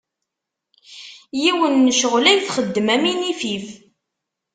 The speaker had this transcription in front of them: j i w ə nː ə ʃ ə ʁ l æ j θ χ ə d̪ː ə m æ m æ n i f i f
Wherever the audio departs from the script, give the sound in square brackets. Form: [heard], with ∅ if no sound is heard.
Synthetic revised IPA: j i w ə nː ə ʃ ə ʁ l æ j θ χ ə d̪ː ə m æ m [i] n i f i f